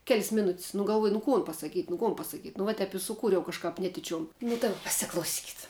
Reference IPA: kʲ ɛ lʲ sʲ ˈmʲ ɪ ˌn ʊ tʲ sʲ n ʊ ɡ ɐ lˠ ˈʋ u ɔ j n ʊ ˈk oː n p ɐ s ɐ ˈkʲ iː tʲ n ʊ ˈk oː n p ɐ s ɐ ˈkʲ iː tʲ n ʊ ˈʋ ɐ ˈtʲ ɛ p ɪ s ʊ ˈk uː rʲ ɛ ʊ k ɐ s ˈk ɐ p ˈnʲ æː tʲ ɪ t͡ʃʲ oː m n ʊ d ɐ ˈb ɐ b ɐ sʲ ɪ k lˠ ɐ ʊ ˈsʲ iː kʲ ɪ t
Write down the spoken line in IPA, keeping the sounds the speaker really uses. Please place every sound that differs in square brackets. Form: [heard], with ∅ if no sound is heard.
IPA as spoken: kʲ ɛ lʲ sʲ ˈmʲ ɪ ˌn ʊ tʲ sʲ n ʊ ɡ ɐ lˠ ˈʋ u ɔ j n ʊ ˈk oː n p ɐ s ɐ ˈkʲ iː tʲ n ʊ ˈk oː n p ɐ s ɐ ˈkʲ iː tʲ n ʊ ˈʋ ɐ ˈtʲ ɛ p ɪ s ʊ ˈk uː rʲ ɛ ʊ k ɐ [ʃ] ˈk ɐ p ˈnʲ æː tʲ ɪ t͡ʃʲ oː m n ʊ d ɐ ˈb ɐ [p] ɐ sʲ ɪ k lˠ ɐ ʊ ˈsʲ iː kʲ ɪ t